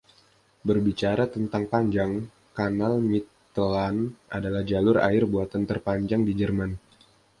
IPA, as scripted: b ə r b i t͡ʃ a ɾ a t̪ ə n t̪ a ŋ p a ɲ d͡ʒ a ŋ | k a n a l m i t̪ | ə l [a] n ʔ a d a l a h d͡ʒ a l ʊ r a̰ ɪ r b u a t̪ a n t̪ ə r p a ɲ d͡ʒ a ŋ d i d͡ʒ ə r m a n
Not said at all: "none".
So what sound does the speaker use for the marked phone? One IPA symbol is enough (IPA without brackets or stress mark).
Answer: a